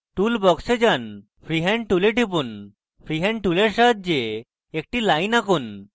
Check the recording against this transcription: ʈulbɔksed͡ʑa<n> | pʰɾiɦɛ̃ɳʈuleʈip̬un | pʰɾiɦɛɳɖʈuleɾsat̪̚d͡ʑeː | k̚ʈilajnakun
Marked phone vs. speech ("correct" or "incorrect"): correct